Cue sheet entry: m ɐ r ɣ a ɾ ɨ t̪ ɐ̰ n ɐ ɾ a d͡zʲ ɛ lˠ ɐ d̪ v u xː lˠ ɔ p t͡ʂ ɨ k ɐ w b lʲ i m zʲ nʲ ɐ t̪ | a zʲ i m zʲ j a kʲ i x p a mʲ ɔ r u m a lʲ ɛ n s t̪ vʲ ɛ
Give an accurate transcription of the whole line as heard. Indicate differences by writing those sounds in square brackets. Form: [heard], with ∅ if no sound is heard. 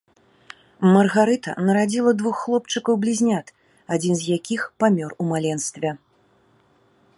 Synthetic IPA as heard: m ɐ r ɣ a ɾ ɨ t̪ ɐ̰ n ɐ ɾ a d͡zʲ [i] lˠ ɐ d̪ v u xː lˠ ɔ p t͡ʂ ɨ k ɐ w b lʲ i [∅] zʲ nʲ [a] t̪ | a [d͡zʲ] i [n] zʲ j a kʲ i x p a mʲ ɔ r u m a lʲ ɛ n s t̪ vʲ ɛ